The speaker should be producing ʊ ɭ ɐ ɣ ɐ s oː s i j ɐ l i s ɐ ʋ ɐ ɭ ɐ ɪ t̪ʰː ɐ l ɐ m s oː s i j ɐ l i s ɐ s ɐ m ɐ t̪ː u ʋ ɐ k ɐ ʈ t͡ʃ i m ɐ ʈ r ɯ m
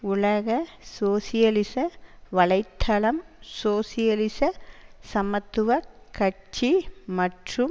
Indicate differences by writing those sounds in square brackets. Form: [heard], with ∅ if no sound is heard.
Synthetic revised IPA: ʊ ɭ ɐ ɣ ɐ s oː s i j ɐ l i s ɐ ʋ ɐ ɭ ɐ ɪ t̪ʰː ɐ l ɐ m s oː s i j ɐ l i s ɐ s ɐ m ɐ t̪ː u ʋ ɐ k ɐ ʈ t͡ʃ i m ɐ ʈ r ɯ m